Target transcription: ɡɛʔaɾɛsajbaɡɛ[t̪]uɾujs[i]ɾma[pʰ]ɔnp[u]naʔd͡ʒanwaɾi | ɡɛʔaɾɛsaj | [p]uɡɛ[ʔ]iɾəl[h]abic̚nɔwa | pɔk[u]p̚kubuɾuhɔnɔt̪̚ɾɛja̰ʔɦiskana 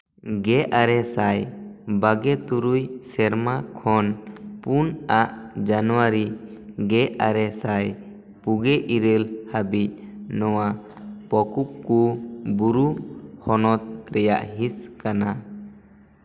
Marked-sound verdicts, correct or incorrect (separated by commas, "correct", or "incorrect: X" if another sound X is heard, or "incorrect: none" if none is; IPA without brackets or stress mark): correct, incorrect: ɛ, incorrect: kʰ, correct, correct, correct, correct, correct